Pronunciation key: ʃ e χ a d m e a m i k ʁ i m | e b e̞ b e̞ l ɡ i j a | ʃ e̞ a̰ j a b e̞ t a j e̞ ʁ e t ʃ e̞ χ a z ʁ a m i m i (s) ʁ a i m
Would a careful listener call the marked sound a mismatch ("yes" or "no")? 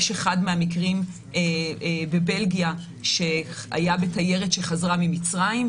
yes